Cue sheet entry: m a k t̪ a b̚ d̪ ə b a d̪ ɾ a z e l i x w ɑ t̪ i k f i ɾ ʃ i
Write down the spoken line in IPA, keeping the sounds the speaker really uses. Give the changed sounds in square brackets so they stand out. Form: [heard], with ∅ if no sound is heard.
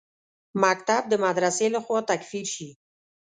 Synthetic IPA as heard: m a k t̪ a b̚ d̪ ə [m] a d̪ ɾ a [s] e l [a] x w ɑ t̪ [a] k f i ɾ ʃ i